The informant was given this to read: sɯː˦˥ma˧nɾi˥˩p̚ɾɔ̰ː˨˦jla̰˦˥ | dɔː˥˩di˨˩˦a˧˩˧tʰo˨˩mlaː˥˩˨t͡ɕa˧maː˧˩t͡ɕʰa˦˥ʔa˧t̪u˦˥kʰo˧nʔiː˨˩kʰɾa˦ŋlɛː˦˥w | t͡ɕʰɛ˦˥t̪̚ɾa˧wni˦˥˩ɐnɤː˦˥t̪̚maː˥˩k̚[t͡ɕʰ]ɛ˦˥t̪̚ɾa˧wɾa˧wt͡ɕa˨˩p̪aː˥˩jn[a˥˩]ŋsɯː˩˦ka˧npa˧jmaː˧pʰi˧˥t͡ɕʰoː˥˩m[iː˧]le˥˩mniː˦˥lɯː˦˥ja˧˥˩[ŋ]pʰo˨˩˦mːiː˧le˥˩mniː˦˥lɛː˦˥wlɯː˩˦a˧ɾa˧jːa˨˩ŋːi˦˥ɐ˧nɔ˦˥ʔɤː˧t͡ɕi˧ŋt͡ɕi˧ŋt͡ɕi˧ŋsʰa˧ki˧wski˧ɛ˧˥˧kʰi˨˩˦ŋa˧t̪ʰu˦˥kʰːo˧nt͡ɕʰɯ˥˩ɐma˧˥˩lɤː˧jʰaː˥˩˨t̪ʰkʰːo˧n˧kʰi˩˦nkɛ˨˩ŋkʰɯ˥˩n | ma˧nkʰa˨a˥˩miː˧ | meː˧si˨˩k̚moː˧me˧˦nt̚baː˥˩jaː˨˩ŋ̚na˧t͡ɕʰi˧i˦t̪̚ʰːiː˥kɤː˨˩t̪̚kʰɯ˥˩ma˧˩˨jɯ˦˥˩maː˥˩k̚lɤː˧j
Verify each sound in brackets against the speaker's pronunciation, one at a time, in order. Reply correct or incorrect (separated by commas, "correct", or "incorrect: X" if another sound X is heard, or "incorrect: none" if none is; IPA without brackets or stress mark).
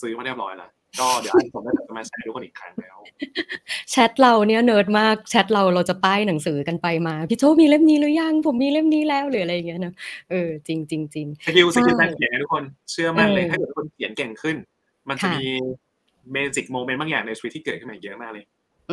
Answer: correct, incorrect: a˩˦, correct, correct